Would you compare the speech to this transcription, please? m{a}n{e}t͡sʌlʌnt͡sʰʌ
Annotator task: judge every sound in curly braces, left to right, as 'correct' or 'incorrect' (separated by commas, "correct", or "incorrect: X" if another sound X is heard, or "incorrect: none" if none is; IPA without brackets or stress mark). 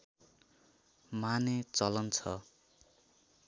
correct, correct